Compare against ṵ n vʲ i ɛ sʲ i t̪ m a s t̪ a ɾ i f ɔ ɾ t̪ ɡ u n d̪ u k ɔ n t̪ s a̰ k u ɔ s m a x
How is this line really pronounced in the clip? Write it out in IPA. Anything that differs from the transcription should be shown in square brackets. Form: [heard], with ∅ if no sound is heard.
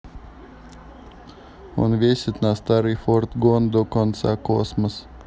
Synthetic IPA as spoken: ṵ n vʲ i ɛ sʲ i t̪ [n] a s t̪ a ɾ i f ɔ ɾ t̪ ɡ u n d̪ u k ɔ n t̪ s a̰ k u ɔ s m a [s]